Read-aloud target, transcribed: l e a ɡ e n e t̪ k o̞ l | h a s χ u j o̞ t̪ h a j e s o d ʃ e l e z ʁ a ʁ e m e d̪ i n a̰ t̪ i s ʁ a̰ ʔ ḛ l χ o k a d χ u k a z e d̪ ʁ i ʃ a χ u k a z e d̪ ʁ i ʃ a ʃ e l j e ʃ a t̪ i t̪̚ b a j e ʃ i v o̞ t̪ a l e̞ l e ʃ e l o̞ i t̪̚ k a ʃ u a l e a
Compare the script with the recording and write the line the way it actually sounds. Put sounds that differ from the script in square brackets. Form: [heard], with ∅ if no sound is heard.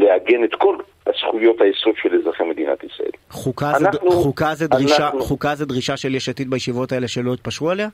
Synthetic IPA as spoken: l e a ɡ e n e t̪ k o̞ l | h a s χ u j o̞ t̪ h a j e s o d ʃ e l e z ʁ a [χ] e m e d̪ i n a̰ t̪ i s ʁ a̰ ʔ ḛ l χ [u] k a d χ u k a z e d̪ ʁ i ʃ a χ u k a z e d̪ ʁ i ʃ a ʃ e l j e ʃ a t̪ i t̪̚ b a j e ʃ i v o̞ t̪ a [∅] e̞ l e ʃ e l o̞ i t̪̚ [p] a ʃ u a l e a